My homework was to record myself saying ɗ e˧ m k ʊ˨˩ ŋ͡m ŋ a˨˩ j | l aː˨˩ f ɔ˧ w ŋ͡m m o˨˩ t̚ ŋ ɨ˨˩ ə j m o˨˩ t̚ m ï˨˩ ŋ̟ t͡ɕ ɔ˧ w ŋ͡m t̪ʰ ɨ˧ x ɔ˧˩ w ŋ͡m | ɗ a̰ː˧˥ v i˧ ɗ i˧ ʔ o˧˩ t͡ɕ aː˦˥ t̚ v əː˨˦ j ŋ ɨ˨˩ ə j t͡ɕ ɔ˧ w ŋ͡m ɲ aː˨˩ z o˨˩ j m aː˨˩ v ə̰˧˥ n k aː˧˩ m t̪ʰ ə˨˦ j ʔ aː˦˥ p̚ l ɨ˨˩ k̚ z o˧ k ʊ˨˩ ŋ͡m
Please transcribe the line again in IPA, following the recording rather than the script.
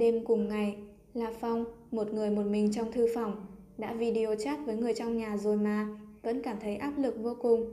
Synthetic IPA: ɗ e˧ m k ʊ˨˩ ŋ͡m ŋ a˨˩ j | l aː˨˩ f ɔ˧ w ŋ͡m m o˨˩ t̚ ŋ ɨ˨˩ ə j m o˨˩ t̚ m ï˨˩ ŋ̟ t͡ɕ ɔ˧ w ŋ͡m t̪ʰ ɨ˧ f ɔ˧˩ w ŋ͡m | ɗ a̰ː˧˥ v i˧ ɗ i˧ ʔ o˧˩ t͡ɕ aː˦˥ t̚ v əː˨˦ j ŋ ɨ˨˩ ə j t͡ɕ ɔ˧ w ŋ͡m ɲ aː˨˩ z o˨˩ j m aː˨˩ v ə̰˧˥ n k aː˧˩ m t̪ʰ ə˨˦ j ʔ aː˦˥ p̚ l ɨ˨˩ k̚ v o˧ k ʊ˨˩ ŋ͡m